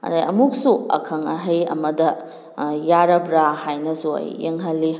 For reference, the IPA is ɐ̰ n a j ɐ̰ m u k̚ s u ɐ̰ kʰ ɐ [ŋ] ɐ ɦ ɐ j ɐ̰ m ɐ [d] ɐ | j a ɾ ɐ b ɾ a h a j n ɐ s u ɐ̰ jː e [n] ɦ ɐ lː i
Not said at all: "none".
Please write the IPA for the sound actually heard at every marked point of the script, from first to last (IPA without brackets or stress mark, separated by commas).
ŋ, d, ŋ